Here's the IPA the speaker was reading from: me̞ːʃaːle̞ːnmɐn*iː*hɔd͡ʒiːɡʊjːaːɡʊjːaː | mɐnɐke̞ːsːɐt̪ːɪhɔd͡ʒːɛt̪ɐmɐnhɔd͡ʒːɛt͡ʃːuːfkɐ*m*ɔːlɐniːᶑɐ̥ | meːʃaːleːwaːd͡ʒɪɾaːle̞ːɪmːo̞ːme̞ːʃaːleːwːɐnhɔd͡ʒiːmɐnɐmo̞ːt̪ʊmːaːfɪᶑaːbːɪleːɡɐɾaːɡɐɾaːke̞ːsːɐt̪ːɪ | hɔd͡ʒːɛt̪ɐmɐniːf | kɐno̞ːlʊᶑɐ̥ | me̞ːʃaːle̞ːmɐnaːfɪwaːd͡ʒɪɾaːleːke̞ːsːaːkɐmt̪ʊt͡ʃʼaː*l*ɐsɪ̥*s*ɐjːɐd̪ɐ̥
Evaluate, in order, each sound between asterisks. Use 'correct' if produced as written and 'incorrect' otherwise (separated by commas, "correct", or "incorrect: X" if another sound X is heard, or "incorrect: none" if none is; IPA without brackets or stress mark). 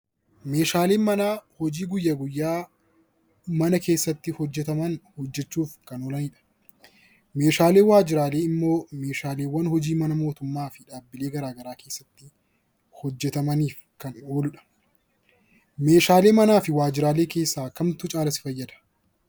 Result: incorrect: aː, incorrect: n, correct, incorrect: f